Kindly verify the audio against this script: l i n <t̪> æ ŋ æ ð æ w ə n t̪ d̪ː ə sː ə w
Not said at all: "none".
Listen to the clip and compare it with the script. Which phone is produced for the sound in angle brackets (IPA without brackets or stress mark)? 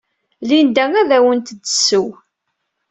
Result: d̪